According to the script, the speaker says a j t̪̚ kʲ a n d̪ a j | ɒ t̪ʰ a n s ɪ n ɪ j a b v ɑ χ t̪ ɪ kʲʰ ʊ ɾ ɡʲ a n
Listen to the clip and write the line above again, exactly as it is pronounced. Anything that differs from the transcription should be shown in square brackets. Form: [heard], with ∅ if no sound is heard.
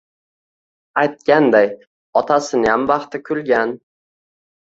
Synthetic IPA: a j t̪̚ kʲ a n d̪ a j | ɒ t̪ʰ a [∅] s ɪ n ɪ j a [m] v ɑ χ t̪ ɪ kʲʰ ʊ [l] ɡʲ a n